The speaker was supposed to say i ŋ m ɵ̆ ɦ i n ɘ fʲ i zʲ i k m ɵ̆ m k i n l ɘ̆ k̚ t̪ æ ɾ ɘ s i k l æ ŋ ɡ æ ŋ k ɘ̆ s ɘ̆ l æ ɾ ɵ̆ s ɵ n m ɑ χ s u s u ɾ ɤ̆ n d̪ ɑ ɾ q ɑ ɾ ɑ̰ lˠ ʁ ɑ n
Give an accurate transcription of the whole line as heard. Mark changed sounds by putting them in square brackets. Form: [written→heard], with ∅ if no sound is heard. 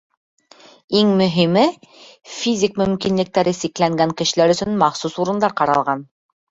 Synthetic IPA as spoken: i ŋ m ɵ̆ ɦ i [n→m] ɘ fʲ i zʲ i k m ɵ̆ m k i n l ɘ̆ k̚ t̪ æ ɾ ɘ s i k l æ ŋ ɡ æ ŋ k ɘ̆ [s→ʃ] ɘ̆ l æ ɾ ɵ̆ s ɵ n m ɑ χ s u s u ɾ ɤ̆ n d̪ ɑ ɾ q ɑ ɾ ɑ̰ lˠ ʁ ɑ n